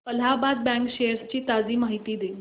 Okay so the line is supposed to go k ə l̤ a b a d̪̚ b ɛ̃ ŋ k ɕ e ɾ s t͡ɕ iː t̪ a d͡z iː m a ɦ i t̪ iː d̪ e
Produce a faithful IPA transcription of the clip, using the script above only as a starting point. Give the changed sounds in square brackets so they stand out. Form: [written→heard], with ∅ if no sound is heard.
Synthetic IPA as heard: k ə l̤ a b a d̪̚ b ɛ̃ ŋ k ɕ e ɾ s t͡ɕ iː t̪ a d͡z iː m a ɦ i t̪ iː d̪ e